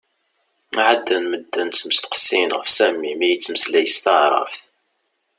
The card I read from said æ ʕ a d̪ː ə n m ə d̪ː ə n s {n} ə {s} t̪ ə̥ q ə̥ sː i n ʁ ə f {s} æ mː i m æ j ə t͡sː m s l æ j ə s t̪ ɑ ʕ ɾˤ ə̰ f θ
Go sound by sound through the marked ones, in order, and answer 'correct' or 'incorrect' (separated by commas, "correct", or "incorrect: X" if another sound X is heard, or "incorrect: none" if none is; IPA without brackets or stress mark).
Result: incorrect: m, correct, correct